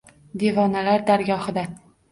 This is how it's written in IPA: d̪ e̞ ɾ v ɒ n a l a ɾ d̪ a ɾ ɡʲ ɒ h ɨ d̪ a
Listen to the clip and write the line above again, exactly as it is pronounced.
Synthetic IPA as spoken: d̪ e̞ v ɒ n a l a ɾ d̪ a ɾ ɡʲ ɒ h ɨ d̪ a